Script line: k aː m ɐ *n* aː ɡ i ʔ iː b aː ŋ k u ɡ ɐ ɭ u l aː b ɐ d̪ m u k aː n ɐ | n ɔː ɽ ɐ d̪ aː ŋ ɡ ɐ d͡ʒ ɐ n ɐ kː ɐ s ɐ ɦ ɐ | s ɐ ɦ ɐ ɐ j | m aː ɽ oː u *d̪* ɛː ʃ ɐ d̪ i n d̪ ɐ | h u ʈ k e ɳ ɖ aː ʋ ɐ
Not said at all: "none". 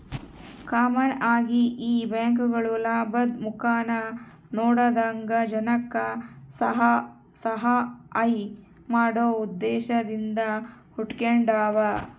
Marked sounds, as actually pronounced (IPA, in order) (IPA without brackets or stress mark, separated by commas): n, d̪ː